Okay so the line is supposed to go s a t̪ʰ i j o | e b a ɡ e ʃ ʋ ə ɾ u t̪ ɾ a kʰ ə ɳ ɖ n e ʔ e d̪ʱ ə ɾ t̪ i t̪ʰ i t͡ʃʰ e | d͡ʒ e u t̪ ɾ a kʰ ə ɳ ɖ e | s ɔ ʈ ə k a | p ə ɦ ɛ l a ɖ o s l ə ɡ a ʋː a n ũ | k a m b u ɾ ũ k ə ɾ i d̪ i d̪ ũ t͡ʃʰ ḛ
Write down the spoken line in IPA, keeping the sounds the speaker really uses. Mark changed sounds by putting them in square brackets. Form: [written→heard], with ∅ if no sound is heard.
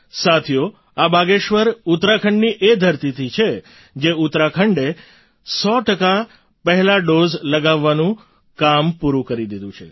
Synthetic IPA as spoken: s a t̪ʰ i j o | [e→a] b a ɡ e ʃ ʋ ə ɾ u t̪ ɾ a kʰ ə ɳ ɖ n [e→i] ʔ e d̪ʱ ə ɾ t̪ i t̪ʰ i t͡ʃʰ e | d͡ʒ e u t̪ ɾ a kʰ ə ɳ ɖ e | s ɔ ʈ ə k a | p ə ɦ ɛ l a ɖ o [s→z] l ə ɡ a ʋː a n ũ | k a m [b→p] u ɾ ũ k ə ɾ i d̪ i d̪ ũ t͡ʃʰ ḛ